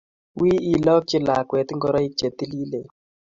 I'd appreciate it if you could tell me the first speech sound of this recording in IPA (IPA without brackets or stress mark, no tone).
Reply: w